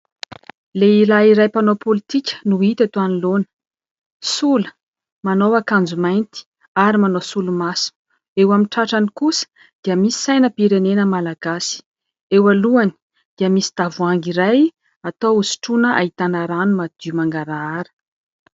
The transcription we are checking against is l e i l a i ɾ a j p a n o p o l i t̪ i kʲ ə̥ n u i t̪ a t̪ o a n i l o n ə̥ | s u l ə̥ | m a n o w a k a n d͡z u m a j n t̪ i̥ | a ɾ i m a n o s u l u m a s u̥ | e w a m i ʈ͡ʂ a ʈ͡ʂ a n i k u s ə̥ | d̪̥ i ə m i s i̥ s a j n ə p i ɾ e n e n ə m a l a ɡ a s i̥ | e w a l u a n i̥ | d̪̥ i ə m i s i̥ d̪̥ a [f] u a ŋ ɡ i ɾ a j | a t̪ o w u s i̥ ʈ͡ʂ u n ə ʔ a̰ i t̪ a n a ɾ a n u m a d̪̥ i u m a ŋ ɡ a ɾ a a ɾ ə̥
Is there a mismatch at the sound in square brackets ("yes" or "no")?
yes